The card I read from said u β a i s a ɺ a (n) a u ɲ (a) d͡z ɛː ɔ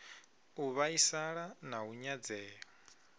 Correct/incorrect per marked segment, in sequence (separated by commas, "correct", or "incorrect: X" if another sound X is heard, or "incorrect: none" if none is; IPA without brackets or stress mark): correct, correct